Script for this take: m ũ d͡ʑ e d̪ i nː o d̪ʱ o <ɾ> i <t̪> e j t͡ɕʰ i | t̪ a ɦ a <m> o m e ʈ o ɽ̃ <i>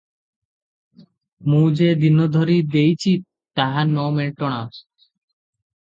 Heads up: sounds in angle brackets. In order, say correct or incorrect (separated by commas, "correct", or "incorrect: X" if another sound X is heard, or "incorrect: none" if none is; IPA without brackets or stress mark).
correct, incorrect: d̪, incorrect: n, incorrect: a